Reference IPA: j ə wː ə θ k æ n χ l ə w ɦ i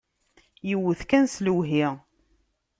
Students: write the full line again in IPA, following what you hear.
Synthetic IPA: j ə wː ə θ k æ n s l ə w ɦ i